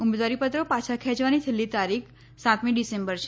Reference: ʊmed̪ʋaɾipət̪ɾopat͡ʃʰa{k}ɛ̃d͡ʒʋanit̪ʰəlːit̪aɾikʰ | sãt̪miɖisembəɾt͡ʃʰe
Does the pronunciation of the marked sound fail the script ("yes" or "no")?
yes